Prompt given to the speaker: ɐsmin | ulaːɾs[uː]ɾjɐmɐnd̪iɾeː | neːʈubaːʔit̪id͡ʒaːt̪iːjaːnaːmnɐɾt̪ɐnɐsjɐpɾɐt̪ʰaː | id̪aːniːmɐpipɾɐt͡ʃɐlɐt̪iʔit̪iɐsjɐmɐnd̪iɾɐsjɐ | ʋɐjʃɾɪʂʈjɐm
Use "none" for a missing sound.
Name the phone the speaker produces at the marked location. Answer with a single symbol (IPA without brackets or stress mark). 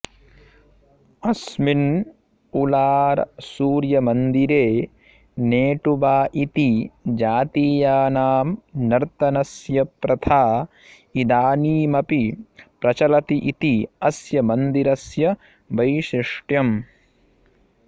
uː